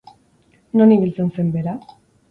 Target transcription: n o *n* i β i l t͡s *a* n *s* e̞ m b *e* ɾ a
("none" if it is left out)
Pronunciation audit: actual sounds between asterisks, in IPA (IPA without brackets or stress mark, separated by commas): n, e, s, e